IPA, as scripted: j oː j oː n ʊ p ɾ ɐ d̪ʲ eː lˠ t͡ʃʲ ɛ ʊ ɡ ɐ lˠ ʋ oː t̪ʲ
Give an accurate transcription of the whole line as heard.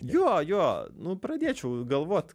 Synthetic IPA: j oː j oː n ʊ p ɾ ɐ d̪ʲ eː t͡ʃʲ ɛ ʊ ɡ ɐ lˠ ʋ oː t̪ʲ